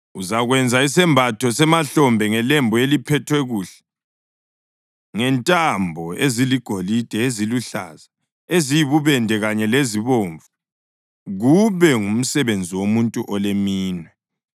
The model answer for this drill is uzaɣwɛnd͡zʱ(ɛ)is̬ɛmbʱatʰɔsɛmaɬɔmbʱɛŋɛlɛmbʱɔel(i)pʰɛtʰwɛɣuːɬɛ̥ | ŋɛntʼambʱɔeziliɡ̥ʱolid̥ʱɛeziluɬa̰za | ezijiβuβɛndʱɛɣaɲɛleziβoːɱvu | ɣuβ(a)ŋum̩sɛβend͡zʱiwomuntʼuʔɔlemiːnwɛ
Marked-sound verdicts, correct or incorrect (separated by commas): incorrect, correct, incorrect